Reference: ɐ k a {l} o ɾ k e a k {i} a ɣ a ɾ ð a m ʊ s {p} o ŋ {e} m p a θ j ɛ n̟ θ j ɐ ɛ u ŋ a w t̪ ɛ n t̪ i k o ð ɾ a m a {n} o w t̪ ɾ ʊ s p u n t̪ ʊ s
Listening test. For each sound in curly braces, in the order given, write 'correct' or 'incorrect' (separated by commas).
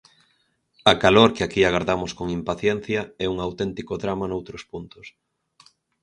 correct, correct, incorrect, incorrect, correct